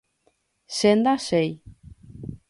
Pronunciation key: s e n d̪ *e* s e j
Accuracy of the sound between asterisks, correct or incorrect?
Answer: incorrect